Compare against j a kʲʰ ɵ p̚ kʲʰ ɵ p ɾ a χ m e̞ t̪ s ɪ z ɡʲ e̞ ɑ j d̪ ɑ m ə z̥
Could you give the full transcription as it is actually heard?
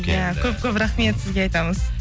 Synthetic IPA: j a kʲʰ ɵ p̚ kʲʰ ɵ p ɾ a χ m e̞ t̪ s ɪ z ɡʲ e̞ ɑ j t̪ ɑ m ə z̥